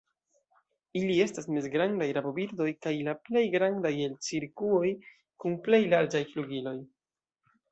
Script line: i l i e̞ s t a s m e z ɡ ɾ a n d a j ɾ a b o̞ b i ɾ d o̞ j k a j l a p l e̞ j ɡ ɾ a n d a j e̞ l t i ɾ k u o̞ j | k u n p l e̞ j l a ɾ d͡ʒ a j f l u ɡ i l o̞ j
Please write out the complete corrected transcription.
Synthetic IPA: i l i e̞ s t a s m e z ɡ ɾ a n d a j ɾ a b o̞ b i ɾ d o̞ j k a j l a p l e̞ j ɡ ɾ a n d a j e̞ l t͡s i ɾ k u o̞ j | k u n p l e̞ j l a ɾ d͡ʒ a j f l u ɡ i l o̞ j